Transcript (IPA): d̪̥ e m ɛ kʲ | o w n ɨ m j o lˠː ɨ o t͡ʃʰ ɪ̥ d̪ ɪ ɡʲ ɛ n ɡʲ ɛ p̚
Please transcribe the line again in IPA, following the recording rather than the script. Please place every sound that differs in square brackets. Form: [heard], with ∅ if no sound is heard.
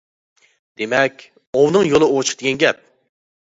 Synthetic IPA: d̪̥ e m ɛ kʲ | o w n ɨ [ŋ] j o [lˠ] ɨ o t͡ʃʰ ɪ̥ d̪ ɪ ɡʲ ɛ n ɡʲ ɛ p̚